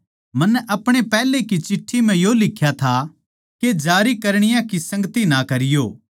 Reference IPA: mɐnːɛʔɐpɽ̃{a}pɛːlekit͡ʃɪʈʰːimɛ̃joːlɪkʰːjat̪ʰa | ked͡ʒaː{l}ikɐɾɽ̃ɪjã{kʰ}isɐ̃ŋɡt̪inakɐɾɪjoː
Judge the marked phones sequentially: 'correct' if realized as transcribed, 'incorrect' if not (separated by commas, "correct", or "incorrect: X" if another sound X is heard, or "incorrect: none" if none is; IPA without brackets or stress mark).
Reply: incorrect: e, incorrect: ɾ, incorrect: k